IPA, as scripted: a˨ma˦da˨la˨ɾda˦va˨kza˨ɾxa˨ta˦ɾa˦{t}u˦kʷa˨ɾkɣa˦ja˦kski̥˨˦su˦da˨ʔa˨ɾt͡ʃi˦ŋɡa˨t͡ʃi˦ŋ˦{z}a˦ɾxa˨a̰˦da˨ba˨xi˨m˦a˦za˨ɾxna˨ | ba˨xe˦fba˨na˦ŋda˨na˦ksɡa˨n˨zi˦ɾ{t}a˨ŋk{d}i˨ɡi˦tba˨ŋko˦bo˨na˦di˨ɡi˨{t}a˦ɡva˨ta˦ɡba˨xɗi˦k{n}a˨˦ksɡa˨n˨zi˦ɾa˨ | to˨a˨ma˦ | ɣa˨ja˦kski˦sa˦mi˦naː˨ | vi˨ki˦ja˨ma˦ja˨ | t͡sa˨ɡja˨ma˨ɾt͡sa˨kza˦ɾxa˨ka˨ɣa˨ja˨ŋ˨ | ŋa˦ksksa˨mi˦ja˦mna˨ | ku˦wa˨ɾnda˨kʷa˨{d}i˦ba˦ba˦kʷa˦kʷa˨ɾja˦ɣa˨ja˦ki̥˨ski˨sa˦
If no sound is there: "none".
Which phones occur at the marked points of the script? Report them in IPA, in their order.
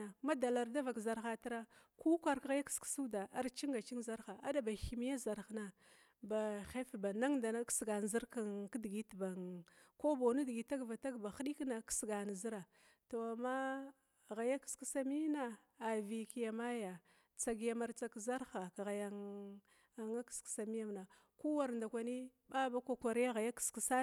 k, z, k, d, t, n, n

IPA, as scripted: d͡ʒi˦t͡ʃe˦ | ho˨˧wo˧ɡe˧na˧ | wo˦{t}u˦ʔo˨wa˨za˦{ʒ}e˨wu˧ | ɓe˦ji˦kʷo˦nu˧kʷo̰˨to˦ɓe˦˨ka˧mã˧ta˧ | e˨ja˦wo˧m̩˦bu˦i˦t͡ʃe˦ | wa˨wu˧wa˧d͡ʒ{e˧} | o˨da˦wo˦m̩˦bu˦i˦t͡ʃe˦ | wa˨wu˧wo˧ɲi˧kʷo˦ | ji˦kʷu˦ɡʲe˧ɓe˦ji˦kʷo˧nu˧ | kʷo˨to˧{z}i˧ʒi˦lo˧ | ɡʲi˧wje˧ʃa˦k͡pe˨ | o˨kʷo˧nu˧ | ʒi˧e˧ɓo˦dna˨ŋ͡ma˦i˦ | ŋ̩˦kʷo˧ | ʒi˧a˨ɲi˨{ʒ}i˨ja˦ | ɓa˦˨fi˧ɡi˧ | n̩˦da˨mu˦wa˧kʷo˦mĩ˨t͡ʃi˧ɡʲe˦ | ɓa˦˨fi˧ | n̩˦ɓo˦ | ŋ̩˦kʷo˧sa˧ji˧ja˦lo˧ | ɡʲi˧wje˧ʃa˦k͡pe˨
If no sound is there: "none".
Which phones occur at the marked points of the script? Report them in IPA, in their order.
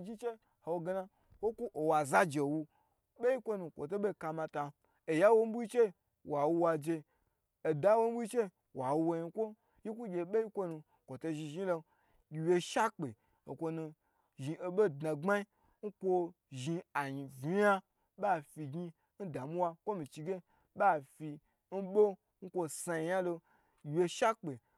k, d͡ʒ, e˧, ʒ, v

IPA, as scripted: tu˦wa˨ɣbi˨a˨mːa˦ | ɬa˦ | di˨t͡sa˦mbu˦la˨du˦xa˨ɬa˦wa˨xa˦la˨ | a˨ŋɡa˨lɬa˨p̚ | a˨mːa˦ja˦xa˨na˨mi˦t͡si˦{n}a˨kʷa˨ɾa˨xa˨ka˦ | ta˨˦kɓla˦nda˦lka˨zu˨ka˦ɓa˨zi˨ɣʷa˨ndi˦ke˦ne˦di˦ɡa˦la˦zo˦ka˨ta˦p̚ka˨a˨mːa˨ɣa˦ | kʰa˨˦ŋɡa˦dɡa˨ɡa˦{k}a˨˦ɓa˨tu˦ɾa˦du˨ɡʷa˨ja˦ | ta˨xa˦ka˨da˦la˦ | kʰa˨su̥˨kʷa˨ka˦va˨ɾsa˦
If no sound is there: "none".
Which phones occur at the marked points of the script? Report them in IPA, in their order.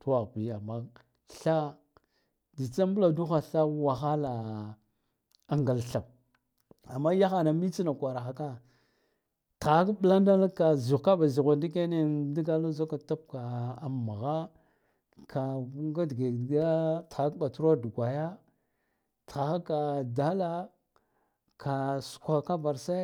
n, t

